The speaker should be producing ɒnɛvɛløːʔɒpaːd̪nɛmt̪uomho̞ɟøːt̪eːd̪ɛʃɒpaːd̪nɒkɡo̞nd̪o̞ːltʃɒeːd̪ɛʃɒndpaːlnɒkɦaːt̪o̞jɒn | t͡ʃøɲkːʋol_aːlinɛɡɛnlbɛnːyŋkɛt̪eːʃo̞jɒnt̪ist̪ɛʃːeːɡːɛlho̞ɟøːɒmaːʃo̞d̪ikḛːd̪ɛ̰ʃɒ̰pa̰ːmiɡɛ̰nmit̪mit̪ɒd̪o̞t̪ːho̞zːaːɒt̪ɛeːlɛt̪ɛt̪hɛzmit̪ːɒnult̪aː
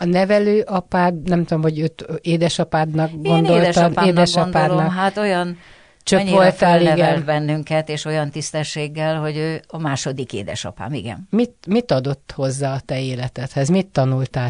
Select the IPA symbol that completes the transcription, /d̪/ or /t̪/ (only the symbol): t̪